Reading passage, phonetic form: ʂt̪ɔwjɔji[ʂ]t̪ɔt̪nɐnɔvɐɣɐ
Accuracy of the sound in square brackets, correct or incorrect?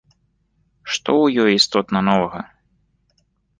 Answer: incorrect